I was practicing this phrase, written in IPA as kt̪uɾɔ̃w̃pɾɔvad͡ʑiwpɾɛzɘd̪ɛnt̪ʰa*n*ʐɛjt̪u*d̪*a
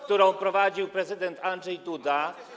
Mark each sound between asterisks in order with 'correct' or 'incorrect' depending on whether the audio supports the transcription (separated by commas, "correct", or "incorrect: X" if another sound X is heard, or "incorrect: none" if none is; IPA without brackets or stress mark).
correct, correct